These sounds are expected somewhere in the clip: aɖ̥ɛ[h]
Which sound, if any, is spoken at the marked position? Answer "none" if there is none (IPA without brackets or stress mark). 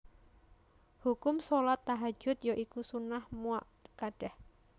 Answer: h